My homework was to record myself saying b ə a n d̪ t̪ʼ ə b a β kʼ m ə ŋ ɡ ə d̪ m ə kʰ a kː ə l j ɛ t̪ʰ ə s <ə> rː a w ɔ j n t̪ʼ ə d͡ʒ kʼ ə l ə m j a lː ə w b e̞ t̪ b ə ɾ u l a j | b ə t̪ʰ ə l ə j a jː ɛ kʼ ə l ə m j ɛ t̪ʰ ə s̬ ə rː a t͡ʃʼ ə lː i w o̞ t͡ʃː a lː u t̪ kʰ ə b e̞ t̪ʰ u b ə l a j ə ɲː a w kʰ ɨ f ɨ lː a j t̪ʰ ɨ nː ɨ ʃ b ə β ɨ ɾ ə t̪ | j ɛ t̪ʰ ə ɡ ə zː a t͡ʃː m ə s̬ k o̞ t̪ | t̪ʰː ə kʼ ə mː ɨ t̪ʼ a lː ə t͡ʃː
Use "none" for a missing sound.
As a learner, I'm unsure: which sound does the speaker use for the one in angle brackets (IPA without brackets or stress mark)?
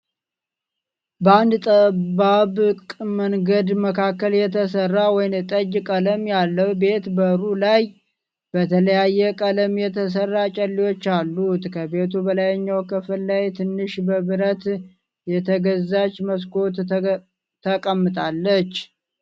ə